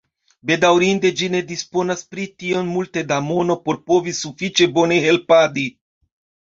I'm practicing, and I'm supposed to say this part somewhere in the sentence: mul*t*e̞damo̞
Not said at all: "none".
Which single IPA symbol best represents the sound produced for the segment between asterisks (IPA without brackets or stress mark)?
t